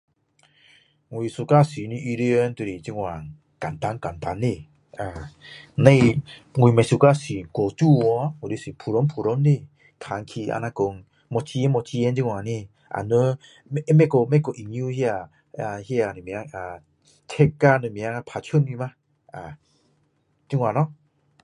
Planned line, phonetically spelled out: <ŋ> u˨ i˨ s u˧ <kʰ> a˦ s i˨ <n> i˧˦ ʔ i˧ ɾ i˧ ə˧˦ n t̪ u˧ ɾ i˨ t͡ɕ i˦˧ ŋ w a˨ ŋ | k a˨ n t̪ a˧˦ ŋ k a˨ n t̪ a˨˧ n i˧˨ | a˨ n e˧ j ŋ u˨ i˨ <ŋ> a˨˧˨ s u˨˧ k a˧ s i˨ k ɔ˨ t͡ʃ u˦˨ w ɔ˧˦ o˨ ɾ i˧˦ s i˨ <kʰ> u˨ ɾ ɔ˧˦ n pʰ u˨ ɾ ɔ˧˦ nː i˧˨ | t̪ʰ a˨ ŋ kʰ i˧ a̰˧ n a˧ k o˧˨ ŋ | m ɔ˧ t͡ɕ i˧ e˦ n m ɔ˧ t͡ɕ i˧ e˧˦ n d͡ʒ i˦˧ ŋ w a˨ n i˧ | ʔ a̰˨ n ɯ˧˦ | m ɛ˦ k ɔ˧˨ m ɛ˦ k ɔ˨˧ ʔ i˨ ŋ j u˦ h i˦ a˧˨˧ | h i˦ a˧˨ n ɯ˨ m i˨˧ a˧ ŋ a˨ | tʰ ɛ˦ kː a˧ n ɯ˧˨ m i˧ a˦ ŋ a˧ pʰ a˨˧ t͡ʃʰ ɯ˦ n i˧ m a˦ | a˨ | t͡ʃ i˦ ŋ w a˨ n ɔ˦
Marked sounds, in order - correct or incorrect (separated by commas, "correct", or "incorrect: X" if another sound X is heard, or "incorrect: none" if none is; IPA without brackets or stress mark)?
correct, incorrect: k, correct, incorrect: m, incorrect: pʰ